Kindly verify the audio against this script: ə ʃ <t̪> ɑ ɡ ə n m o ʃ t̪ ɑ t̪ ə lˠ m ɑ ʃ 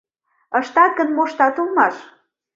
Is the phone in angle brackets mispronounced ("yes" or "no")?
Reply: no